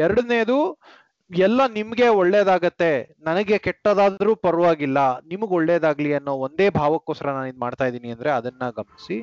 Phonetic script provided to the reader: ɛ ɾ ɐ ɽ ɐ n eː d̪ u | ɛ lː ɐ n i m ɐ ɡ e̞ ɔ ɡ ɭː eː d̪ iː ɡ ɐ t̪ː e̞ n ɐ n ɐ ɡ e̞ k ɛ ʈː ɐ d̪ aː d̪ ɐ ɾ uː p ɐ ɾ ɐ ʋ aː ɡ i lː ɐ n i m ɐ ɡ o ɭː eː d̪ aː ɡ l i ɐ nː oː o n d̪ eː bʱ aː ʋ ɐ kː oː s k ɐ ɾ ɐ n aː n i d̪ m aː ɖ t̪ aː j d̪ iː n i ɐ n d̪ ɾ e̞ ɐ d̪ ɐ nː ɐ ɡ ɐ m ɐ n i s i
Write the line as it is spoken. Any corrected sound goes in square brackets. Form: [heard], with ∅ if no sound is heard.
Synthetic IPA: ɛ ɾ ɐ ɽ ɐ n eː d̪ u | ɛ lː ɐ n i m ɐ ɡ e̞ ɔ [∅] ɭː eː d̪ [aː] ɡ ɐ t̪ː e̞ n ɐ n ɐ ɡ e̞ k ɛ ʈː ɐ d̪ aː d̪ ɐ ɾ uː p ɐ ɾ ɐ ʋ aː ɡ i lː ɐ n i m ɐ ɡ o ɭː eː d̪ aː ɡ l i ɐ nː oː o n d̪ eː bʱ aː ʋ ɐ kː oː s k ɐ ɾ ɐ n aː n i d̪ m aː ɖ t̪ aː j d̪ iː n i ɐ n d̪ ɾ e̞ ɐ d̪ ɐ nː ɐ ɡ ɐ m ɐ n i s i